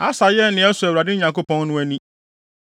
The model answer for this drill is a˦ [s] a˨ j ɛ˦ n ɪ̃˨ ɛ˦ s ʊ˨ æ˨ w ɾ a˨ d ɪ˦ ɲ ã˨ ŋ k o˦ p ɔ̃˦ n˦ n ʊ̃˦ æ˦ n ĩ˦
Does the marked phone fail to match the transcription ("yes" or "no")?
no